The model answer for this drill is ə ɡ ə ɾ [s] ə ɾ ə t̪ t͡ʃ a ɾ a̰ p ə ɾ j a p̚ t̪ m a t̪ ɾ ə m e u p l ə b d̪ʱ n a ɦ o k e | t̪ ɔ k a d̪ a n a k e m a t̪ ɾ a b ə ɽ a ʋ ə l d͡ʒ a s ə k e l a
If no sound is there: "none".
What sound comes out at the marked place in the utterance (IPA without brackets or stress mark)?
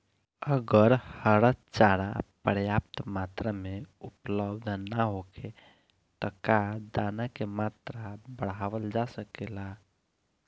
h